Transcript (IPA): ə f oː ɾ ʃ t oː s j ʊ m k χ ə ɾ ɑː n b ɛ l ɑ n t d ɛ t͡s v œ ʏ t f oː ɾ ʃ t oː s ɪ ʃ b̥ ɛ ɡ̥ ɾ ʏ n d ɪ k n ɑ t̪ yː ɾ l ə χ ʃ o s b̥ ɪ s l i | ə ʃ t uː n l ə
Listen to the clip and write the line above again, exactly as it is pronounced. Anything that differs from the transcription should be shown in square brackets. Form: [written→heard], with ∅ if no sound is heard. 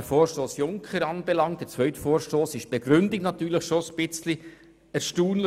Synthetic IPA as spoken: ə f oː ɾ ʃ t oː s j ʊ [m→ŋ] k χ ə ɾ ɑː n b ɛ l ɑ [n→ŋ] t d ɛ t͡s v œ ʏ t f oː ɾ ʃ t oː s ɪ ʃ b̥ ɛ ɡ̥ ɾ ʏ n d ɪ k n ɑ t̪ yː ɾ l ə χ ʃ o s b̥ ɪ [s→t͡s] l i | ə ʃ t uː n l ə